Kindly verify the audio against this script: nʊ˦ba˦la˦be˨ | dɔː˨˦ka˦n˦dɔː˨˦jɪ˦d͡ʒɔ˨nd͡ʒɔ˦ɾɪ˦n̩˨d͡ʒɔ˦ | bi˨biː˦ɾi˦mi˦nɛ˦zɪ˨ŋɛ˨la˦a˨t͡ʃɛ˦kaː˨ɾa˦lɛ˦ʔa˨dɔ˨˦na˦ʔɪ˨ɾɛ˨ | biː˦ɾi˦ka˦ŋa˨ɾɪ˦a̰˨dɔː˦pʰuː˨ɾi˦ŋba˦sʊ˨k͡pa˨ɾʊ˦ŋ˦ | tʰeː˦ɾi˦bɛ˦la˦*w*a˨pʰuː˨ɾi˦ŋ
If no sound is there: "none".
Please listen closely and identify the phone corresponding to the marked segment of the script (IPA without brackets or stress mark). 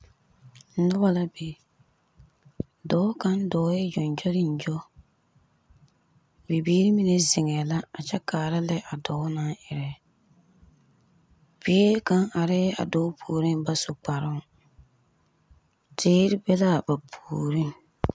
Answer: b